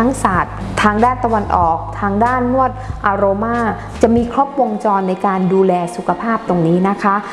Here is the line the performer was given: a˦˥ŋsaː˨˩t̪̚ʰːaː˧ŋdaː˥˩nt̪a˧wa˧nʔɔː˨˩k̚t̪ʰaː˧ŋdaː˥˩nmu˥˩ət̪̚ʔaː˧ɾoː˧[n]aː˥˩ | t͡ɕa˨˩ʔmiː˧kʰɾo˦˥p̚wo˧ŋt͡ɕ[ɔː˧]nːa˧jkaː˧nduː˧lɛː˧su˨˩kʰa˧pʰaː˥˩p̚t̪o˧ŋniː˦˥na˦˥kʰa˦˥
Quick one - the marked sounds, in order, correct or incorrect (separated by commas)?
incorrect, correct